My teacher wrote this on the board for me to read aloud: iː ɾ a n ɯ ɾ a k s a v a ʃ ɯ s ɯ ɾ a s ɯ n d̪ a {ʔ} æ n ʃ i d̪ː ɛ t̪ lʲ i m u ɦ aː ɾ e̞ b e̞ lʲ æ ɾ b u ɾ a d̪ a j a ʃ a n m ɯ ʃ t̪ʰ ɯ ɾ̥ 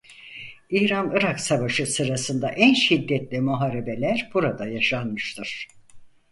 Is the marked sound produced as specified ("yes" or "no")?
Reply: yes